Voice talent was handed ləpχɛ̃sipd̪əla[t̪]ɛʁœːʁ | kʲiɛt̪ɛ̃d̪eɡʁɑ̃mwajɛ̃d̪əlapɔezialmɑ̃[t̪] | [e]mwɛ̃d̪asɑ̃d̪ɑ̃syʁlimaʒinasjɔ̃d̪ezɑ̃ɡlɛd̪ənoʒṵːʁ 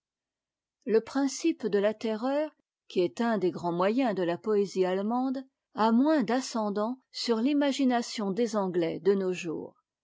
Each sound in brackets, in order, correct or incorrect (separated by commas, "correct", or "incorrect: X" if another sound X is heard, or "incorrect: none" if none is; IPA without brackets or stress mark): correct, incorrect: d̪, incorrect: a